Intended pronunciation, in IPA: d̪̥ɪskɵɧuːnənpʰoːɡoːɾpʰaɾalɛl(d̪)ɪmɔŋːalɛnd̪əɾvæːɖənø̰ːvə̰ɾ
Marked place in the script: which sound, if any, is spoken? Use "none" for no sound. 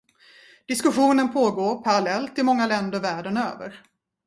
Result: t̪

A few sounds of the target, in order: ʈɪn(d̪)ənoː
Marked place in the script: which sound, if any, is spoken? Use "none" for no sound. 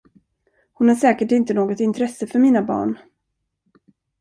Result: t̪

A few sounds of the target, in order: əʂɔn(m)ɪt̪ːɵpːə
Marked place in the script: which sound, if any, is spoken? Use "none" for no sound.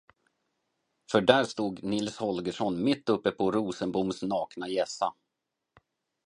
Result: m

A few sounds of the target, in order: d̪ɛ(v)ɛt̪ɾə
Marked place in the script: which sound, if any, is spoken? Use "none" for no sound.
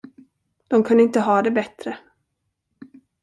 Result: b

